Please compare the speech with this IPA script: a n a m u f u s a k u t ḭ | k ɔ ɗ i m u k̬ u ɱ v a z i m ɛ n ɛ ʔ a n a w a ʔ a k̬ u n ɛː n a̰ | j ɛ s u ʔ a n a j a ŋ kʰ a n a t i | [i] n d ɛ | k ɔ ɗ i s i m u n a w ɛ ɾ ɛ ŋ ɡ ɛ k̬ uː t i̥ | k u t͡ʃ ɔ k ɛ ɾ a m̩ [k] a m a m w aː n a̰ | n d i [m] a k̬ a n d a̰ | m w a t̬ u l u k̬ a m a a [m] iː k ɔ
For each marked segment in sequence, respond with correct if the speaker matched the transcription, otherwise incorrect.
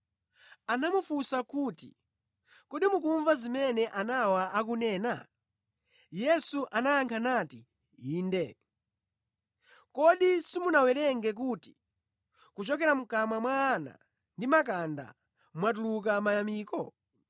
incorrect, correct, correct, correct

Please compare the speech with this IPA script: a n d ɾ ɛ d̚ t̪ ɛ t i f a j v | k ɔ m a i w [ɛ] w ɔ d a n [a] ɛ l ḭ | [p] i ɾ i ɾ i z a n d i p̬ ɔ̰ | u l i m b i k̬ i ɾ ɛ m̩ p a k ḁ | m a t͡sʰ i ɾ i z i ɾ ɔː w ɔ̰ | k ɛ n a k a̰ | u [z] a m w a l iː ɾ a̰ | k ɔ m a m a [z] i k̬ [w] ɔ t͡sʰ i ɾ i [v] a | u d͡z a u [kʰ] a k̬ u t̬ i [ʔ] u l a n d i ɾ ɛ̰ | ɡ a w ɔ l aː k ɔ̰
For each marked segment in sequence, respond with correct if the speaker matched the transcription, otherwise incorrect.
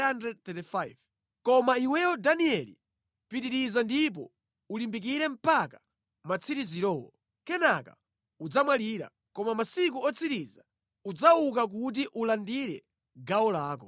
correct, incorrect, correct, incorrect, incorrect, incorrect, incorrect, incorrect, correct

